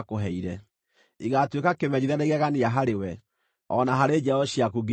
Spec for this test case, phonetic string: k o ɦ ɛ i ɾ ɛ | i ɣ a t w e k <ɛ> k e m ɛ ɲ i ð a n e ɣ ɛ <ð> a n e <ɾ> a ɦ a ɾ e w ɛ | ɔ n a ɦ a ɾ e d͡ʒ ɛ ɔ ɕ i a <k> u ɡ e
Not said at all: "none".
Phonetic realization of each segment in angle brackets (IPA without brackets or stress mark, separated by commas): a, ɣ, none, k